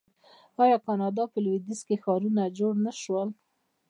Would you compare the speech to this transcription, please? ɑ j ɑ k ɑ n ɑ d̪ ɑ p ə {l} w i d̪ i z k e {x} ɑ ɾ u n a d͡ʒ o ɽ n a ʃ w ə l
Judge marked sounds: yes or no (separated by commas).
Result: yes, yes